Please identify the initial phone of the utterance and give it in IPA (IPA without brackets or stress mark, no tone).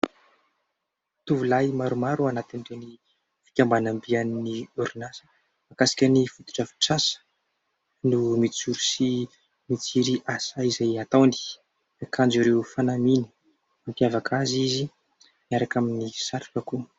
t̪